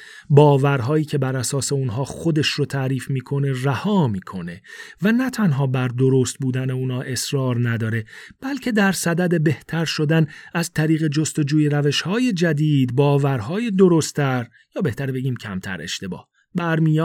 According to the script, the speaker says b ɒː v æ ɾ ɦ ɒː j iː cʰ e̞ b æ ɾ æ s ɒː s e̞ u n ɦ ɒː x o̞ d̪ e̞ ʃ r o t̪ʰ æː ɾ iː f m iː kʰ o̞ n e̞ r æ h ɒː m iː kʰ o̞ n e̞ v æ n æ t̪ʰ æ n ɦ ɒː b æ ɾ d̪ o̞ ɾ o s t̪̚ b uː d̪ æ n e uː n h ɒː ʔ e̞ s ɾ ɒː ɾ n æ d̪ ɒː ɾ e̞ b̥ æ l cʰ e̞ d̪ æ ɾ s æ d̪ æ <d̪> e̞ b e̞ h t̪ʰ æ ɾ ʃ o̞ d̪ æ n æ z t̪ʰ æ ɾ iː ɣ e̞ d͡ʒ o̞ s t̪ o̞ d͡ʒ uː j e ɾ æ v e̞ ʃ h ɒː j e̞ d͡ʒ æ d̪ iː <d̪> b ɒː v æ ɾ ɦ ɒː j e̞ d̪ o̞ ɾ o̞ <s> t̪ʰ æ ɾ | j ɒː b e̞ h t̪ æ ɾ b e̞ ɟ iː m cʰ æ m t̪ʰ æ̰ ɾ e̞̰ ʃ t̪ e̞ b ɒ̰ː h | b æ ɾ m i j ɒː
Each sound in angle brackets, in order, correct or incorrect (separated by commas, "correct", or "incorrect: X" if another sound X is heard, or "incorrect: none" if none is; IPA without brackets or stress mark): correct, correct, correct